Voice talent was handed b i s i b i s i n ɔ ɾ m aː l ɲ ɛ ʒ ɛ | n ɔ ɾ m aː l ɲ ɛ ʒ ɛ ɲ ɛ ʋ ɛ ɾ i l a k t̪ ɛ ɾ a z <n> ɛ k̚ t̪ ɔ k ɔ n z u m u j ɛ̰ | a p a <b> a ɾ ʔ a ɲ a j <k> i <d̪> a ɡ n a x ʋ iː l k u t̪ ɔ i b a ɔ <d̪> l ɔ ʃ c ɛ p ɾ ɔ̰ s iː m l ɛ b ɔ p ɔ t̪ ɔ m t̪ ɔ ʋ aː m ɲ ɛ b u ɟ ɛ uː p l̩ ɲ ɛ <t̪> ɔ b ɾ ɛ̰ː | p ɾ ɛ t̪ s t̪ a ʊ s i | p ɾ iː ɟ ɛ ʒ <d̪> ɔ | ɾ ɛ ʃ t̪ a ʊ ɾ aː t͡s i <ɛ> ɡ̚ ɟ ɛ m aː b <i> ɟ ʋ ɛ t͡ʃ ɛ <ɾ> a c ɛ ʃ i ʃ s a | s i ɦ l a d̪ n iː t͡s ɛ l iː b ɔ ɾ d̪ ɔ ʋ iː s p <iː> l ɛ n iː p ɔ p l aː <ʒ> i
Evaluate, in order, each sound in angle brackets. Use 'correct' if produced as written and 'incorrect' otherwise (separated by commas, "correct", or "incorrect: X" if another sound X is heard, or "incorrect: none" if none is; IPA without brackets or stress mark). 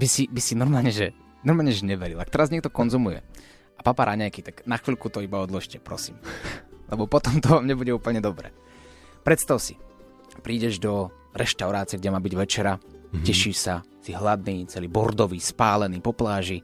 incorrect: ɲ, incorrect: p, correct, incorrect: t̪, correct, incorrect: d̪, correct, correct, correct, correct, incorrect: aː, correct